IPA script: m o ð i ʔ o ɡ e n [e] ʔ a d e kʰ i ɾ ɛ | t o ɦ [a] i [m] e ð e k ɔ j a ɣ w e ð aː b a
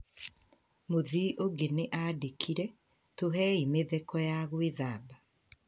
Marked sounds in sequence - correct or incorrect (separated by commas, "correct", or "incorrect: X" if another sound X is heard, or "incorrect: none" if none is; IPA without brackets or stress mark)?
correct, incorrect: ɛ, correct